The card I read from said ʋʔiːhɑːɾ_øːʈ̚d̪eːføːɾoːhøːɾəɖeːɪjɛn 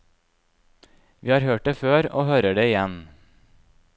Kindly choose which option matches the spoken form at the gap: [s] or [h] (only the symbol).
h